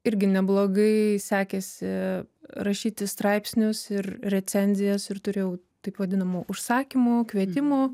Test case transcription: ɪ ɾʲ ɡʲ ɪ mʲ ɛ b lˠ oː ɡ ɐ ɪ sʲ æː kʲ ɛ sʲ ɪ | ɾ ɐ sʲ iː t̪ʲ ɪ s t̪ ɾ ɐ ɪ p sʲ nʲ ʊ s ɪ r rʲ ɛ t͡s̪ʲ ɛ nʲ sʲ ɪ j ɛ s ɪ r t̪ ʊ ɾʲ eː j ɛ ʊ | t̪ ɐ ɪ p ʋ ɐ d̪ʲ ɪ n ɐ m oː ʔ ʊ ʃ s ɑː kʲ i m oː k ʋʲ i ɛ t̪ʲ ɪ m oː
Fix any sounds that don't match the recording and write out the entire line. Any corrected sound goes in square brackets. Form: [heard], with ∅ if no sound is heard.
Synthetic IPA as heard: ɪ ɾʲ ɡʲ ɪ [nʲ] ɛ b lˠ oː ɡ ɐ ɪ sʲ æː kʲ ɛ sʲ ɪ | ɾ ɐ [ʃʲ] iː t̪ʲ ɪ s t̪ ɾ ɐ ɪ p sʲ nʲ ʊ s ɪ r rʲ ɛ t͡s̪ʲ ɛ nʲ [zʲ] ɪ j ɛ s ɪ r t̪ ʊ ɾʲ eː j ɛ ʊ | t̪ ɐ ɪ p ʋ ɐ d̪ʲ ɪ n ɐ m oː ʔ ʊ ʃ s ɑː kʲ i m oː k ʋʲ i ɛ t̪ʲ ɪ m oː